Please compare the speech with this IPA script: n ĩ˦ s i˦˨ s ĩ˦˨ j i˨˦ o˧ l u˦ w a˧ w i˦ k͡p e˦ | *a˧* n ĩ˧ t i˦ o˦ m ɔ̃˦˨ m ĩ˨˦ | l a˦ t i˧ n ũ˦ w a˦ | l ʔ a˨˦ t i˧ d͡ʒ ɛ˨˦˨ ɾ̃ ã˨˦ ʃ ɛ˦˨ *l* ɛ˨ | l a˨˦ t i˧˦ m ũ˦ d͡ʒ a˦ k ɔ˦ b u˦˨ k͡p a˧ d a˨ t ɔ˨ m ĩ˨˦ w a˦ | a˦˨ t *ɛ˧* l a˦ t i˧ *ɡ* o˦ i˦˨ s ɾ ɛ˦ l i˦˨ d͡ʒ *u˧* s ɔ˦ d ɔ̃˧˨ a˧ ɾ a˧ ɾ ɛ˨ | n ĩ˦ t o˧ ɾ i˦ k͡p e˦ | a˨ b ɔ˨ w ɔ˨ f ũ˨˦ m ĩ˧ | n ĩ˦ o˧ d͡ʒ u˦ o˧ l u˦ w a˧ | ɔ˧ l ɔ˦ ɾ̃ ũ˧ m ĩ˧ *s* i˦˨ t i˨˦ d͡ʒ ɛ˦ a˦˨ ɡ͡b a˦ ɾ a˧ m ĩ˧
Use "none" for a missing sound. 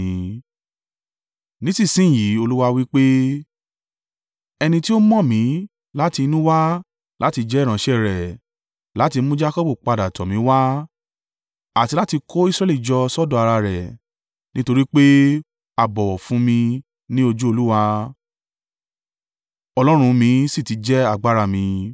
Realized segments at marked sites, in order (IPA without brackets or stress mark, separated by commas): ɛ˧, ɾ, i˧, k, ɔ˧, s